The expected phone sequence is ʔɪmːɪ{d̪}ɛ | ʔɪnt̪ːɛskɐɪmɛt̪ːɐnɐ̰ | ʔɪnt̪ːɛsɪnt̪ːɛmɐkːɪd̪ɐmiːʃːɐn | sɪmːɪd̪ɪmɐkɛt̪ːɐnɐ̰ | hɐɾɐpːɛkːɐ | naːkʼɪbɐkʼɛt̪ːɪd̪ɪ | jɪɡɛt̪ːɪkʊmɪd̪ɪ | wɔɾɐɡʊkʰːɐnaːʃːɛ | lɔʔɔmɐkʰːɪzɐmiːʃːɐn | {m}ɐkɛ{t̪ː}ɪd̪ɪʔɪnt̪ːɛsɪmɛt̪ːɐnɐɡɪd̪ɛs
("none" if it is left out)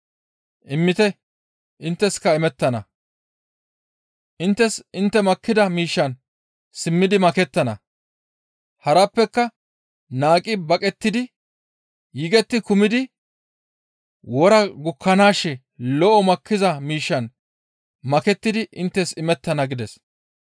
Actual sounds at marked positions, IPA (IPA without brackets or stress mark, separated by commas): t̪, m, t̪ː